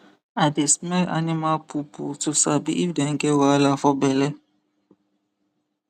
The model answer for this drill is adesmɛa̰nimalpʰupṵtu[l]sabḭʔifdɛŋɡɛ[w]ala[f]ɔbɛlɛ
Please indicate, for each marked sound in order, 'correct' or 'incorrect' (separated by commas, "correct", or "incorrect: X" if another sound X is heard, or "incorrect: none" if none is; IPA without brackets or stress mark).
incorrect: none, correct, correct